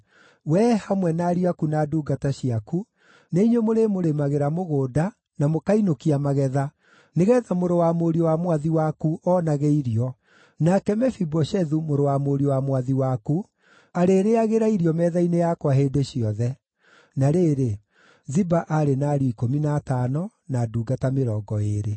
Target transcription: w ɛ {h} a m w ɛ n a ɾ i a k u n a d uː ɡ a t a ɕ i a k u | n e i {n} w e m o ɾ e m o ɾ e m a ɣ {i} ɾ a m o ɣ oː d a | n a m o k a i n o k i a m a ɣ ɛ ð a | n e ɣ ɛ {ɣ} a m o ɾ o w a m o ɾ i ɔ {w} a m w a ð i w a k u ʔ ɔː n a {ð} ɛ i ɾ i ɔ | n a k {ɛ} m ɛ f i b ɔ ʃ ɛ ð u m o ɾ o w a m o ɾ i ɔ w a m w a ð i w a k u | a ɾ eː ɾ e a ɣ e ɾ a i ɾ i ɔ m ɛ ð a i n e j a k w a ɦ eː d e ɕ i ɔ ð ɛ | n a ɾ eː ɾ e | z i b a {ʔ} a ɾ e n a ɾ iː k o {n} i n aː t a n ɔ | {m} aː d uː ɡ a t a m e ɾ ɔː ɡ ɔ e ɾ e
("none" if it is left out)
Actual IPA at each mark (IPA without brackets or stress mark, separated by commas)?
h, ɲ, e, ð, w, ɣ, ɛ, ʔ, m, n